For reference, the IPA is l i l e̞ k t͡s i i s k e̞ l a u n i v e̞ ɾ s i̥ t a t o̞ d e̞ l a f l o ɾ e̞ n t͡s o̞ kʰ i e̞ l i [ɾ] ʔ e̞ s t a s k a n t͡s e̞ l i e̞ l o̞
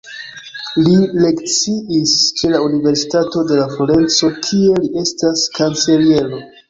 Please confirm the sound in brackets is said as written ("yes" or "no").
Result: no